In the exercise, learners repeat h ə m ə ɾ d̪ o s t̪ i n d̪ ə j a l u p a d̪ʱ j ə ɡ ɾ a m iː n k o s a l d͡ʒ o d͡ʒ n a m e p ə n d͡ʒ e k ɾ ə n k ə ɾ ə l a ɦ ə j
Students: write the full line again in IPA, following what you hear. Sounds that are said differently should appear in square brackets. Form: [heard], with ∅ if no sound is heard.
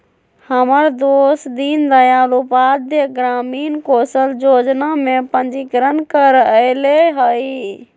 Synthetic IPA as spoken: h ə m ə ɾ d̪ o s [d̪] i n d̪ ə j a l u p a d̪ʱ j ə ɡ ɾ a m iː n k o s [ə] l d͡ʒ o d͡ʒ n a m e p ə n d͡ʒ [i] k ɾ ə n k ə ɾ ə l [e] ɦ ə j